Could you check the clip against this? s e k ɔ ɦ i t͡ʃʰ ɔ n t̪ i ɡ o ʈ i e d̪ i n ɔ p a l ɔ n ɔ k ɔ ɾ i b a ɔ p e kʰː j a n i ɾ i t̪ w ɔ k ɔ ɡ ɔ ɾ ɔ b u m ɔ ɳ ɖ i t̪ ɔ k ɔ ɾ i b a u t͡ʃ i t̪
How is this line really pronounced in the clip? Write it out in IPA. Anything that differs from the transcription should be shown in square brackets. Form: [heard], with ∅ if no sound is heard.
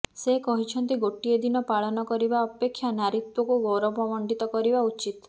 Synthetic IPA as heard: s e k ɔ ɦ i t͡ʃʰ ɔ n t̪ i ɡ o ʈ i e d̪ i n ɔ p a [ɭ] ɔ n ɔ k ɔ ɾ i b a ɔ p e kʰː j a n [a] ɾ i t̪ w ɔ k [u] ɡ ɔ ɾ ɔ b [ɔ] m ɔ ɳ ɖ i t̪ ɔ k ɔ ɾ i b a u t͡ʃ i t̪